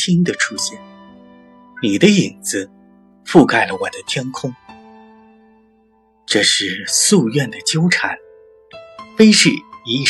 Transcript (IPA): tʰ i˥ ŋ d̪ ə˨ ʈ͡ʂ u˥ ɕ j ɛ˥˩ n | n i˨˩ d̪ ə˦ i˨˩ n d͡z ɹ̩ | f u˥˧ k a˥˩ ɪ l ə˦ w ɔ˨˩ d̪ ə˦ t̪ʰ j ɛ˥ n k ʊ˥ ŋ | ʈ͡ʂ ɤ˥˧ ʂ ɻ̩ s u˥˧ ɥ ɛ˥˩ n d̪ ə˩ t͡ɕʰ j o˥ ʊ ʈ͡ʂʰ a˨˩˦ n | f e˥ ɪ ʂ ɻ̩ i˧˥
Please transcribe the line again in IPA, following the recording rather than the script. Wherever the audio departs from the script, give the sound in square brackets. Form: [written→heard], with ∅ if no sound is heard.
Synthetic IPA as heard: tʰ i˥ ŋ d̪ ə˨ [ʈ͡ʂ→ʈ͡ʂʰ] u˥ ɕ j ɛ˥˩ n | n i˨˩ d̪ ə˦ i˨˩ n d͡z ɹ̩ | f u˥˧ k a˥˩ ɪ l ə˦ w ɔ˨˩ d̪ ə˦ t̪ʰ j ɛ˥ n [k→kʰ] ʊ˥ ŋ | ʈ͡ʂ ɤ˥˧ ʂ ɻ̩ s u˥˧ ɥ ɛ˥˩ n d̪ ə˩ [t͡ɕʰ→t͡ɕ] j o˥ ʊ ʈ͡ʂʰ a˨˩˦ n | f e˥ ɪ ʂ ɻ̩ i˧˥